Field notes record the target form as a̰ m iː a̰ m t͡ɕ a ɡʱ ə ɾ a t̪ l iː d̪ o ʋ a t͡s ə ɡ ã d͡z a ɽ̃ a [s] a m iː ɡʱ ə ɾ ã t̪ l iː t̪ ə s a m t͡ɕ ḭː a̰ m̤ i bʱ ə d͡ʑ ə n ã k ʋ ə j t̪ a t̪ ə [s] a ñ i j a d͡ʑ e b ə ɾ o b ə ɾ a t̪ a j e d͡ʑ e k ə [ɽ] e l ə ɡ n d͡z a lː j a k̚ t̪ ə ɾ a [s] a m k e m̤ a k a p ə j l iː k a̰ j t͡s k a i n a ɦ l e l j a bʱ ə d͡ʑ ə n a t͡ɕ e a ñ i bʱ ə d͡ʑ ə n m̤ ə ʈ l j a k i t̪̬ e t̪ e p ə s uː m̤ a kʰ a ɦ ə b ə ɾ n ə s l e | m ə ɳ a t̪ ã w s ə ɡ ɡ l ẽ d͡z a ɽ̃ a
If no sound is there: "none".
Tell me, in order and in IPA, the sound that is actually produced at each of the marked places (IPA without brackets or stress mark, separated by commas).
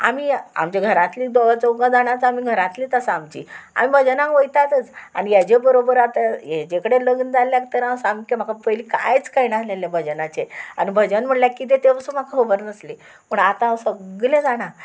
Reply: t͡s, t͡s, ɽ, s